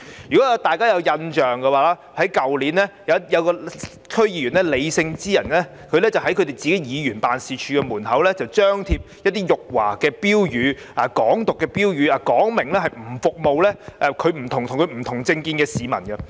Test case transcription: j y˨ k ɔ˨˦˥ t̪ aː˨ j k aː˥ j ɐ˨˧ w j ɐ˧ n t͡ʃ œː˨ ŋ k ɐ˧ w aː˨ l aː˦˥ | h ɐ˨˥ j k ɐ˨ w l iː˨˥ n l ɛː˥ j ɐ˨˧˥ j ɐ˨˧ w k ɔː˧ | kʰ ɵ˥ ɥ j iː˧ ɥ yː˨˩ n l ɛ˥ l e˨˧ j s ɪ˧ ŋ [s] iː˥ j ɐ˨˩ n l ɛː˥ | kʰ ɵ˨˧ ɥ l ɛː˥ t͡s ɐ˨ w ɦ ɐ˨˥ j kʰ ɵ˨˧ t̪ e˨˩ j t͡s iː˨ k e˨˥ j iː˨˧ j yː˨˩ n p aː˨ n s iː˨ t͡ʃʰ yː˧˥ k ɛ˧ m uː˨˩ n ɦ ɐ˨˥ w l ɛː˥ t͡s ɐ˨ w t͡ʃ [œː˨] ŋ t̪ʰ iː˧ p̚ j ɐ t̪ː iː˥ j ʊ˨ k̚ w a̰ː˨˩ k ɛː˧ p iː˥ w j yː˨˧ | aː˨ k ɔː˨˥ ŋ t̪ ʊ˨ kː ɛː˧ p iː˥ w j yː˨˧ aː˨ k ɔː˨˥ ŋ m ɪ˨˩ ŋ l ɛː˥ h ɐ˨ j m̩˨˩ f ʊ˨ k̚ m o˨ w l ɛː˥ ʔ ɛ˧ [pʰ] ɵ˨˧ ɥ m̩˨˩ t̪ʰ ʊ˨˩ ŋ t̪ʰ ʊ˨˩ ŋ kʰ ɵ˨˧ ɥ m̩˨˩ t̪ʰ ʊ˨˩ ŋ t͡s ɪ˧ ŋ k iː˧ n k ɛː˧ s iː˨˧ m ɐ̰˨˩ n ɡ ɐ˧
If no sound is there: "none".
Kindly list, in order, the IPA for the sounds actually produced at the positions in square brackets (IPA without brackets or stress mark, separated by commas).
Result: t͡s, œː˥, kʰ